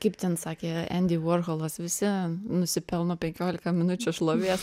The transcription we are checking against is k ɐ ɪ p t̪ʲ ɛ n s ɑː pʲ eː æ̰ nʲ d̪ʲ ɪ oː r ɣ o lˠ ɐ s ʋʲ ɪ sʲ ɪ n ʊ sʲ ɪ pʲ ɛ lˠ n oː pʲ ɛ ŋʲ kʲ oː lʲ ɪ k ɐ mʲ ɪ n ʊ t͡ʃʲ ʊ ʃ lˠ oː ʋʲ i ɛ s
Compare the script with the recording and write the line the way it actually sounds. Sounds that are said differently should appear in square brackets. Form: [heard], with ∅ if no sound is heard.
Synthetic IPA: k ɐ ɪ p t̪ʲ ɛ n s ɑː [kʲ] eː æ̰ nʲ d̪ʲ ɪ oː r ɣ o lˠ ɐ s ʋʲ ɪ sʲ ɪ n ʊ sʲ ɪ pʲ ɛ lˠ n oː pʲ ɛ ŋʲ kʲ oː lʲ ɪ k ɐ mʲ ɪ n ʊ t͡ʃʲ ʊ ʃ lˠ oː ʋʲ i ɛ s